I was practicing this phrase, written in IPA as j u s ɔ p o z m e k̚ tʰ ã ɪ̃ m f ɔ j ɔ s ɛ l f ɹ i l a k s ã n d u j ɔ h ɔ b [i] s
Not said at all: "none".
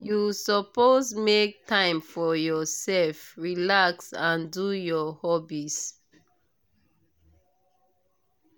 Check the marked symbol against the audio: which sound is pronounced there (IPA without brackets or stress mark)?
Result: i